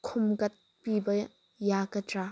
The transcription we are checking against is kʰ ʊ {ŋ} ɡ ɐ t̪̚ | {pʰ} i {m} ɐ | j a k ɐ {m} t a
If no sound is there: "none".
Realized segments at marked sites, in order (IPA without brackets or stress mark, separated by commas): m, p, b, none